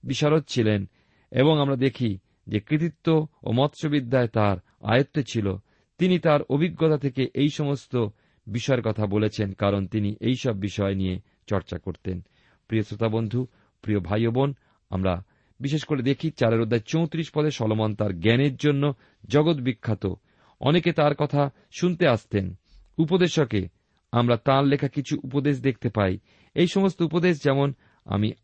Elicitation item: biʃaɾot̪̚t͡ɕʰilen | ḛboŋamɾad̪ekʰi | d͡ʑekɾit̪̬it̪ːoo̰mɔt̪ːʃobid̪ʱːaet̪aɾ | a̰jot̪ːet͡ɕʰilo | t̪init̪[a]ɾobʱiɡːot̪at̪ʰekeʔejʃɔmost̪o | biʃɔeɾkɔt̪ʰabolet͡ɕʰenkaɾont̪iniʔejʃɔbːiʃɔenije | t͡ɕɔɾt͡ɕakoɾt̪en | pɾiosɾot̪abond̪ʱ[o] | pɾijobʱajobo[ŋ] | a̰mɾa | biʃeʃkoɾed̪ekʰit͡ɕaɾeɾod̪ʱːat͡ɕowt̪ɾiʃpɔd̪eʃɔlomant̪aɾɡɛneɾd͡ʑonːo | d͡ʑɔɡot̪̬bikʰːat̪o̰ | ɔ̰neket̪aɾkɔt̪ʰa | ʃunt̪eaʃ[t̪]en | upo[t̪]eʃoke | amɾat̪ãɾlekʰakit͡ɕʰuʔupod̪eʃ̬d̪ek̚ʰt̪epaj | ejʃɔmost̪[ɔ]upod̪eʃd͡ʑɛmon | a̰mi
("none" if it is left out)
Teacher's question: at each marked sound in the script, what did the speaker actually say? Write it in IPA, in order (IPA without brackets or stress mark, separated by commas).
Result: a, u, n, t̪, d̪, o